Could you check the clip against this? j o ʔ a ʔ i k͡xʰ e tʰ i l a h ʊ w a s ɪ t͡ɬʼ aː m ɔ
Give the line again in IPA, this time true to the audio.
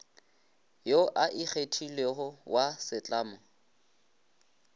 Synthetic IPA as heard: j o ʔ a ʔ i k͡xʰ e tʰ i l e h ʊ w a s ɪ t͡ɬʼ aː m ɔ